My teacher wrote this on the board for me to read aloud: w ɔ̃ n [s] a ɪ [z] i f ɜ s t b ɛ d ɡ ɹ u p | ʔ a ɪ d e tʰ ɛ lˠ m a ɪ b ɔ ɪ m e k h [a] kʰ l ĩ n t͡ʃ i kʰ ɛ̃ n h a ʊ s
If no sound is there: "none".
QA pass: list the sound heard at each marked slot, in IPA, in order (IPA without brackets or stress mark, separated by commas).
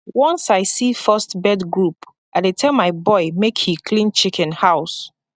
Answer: s, s, i